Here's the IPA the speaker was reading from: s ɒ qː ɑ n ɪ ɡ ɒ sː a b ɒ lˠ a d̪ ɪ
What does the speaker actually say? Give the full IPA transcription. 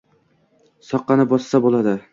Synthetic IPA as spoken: s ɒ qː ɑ n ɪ b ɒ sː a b o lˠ a d̪ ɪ